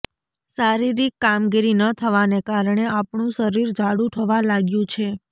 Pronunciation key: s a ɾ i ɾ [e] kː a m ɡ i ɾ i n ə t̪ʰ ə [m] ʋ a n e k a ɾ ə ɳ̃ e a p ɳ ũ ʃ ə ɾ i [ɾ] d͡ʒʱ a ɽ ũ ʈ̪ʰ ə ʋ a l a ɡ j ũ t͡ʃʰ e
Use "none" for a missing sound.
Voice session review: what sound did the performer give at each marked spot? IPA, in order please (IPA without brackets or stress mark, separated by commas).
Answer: i, none, ɾ